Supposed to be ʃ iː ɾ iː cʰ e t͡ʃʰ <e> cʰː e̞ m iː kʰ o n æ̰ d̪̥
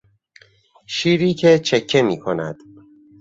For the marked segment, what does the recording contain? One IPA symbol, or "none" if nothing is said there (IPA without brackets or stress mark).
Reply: e